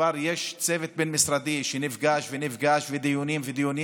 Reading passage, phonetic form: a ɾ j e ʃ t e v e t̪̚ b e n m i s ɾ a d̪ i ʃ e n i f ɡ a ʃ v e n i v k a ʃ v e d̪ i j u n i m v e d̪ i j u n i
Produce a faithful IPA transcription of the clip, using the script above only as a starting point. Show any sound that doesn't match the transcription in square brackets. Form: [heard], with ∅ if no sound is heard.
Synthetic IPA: a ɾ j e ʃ [t͡s] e v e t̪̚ b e n m i s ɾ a d̪ i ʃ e n i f ɡ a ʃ v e n i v [ɡ] a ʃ v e d̪ i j u n i m v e d̪ i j u n i